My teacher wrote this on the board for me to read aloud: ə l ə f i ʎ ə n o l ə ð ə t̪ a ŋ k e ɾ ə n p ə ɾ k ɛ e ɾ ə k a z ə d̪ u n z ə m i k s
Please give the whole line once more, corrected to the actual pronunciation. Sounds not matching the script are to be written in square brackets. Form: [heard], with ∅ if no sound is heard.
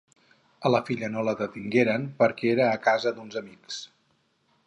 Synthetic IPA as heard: ə l ə f i ʎ ə n o l ə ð ə t̪ [i] ŋ [ɡ] e ɾ ə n p ə ɾ k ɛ e ɾ [əː] k a z ə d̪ u n z ə m i k s